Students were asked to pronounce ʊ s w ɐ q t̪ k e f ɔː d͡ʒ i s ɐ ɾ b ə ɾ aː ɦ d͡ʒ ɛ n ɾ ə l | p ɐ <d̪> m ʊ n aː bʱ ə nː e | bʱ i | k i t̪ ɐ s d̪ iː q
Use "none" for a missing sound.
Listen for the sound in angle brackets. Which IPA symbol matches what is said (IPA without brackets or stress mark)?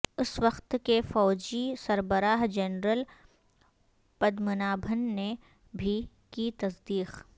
d̪